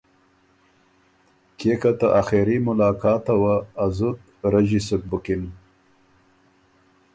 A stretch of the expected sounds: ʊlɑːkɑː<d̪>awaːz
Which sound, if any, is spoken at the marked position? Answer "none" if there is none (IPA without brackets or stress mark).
t̪